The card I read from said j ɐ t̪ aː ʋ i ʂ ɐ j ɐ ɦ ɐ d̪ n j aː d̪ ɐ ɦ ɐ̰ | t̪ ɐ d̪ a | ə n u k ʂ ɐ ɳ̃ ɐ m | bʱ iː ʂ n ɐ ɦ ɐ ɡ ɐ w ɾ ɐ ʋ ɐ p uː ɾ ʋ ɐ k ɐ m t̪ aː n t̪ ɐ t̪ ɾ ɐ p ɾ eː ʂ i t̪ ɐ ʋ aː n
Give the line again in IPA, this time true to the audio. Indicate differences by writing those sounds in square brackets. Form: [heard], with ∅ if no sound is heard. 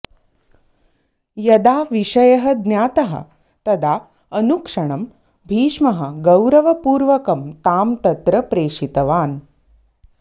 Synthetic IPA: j ɐ [d̪] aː ʋ i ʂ ɐ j ɐ ɦ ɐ d̪ n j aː [t̪] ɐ ɦ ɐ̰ | t̪ ɐ d̪ a | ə n u k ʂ ɐ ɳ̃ ɐ m | bʱ iː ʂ [m] ɐ ɦ ɐ ɡ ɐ w ɾ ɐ ʋ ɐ p uː ɾ ʋ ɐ k ɐ m t̪ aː [m] t̪ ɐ t̪ ɾ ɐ p ɾ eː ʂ i t̪ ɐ ʋ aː n